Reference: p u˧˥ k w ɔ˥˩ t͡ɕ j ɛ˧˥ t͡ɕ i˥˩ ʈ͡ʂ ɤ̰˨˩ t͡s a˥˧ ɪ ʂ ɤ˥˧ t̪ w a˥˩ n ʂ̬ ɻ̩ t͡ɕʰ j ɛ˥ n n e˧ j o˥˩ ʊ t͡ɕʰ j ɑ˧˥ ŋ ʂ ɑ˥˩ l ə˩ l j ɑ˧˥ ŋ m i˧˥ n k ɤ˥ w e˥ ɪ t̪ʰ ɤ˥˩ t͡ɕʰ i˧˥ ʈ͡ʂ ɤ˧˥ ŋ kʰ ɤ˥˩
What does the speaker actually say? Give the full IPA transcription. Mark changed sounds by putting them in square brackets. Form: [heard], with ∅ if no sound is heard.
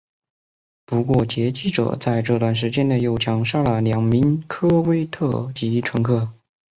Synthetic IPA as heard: p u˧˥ k w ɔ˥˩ t͡ɕ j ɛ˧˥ t͡ɕ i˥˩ ʈ͡ʂ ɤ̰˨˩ t͡s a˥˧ ɪ [ʈ͡ʂ] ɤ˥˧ t̪ w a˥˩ n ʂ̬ ɻ̩ [t͡ɕ] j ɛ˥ n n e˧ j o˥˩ ʊ t͡ɕʰ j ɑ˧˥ ŋ ʂ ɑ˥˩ l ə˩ l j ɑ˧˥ ŋ m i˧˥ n [kʰ] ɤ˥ w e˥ ɪ t̪ʰ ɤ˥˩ [t͡ɕ] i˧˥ [ʈ͡ʂʰ] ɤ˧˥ ŋ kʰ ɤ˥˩